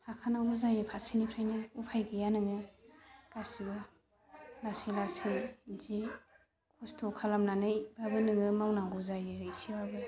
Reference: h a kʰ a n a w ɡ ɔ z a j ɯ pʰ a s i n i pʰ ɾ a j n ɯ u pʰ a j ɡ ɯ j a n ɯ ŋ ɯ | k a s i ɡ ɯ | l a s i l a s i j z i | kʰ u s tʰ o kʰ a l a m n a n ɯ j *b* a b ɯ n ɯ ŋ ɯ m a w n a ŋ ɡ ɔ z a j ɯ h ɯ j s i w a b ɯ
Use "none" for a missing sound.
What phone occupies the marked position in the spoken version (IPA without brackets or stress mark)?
b